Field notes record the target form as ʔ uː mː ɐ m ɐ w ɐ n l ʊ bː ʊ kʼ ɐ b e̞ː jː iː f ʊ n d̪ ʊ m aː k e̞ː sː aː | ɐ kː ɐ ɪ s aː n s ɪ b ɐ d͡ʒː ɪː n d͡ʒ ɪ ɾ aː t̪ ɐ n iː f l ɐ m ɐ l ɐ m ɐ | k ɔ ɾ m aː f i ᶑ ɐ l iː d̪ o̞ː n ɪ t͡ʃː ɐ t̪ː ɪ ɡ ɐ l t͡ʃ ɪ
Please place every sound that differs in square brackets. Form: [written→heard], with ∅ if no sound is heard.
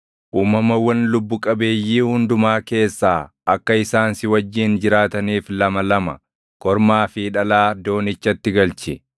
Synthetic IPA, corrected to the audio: ʔ uː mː ɐ m ɐ w ɐ n l ʊ bː ʊ kʼ ɐ b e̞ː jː iː [f→h] ʊ n d̪ ʊ m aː k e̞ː sː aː | ɐ kː ɐ ɪ s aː n s ɪ [b→w] ɐ d͡ʒː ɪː n d͡ʒ ɪ ɾ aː t̪ ɐ n iː f l ɐ m ɐ l ɐ m ɐ | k ɔ ɾ m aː f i ᶑ ɐ l [iː→aː] d̪ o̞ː n ɪ t͡ʃː ɐ t̪ː ɪ ɡ ɐ l t͡ʃ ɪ